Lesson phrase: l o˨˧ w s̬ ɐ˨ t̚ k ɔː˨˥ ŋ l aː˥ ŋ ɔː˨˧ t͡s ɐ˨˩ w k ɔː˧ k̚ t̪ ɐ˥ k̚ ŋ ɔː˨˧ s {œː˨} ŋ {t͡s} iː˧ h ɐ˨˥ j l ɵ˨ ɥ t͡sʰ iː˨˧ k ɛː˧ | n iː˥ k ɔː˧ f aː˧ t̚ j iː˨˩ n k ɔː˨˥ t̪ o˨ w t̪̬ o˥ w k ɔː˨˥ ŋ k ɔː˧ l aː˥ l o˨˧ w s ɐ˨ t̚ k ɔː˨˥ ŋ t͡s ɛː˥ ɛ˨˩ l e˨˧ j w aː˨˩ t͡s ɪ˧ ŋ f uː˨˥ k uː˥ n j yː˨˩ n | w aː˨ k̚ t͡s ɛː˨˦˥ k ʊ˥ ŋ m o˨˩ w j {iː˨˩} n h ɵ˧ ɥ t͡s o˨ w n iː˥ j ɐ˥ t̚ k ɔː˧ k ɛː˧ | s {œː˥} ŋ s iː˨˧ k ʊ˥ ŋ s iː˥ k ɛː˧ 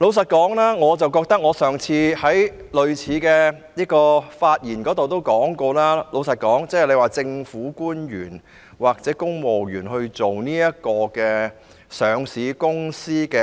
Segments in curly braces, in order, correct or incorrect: correct, incorrect: t͡sʰ, incorrect: yː˨˩, incorrect: œː˨˧

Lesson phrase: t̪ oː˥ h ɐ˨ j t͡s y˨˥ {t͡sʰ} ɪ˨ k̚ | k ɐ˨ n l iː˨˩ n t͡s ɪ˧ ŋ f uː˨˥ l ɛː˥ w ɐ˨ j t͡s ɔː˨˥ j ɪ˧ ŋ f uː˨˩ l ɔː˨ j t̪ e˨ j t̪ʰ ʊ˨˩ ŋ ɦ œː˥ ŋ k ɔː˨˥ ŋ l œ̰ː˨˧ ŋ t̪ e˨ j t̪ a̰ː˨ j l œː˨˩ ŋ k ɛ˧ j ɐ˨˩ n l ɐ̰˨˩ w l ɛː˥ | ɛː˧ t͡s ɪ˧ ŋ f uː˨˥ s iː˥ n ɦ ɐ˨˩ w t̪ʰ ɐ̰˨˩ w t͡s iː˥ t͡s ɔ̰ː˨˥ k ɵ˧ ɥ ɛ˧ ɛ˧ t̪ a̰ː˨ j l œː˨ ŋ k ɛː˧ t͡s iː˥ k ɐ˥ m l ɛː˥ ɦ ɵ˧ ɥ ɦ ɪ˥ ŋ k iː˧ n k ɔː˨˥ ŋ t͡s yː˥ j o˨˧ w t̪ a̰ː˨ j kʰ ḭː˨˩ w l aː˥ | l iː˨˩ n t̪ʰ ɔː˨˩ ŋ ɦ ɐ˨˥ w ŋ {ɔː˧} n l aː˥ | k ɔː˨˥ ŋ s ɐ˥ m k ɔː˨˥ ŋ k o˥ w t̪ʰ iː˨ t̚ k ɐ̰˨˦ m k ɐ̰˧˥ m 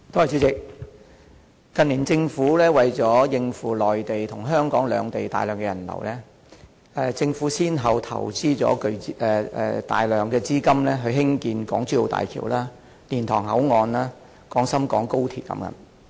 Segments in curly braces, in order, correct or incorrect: incorrect: t͡s, correct

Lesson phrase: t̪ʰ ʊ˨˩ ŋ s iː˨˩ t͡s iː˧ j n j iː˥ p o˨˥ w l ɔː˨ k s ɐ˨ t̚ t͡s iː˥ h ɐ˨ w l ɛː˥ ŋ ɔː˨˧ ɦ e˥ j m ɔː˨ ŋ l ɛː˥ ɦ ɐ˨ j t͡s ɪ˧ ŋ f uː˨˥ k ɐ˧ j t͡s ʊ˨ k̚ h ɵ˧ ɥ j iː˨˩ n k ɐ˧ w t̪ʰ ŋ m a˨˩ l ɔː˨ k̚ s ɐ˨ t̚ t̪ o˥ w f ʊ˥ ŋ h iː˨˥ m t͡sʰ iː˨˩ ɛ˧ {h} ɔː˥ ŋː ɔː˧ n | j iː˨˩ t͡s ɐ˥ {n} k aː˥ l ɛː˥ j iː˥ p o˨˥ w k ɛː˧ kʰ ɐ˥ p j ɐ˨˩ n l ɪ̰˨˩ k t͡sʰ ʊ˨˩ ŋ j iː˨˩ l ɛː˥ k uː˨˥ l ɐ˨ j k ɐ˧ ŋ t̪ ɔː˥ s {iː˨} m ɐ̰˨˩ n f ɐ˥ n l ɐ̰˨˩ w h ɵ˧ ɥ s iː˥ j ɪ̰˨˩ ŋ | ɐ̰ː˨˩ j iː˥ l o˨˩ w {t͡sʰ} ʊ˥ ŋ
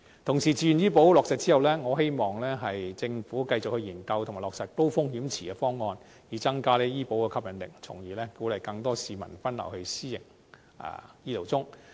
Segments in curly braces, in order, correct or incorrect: incorrect: f, incorrect: ŋ, correct, incorrect: t͡s

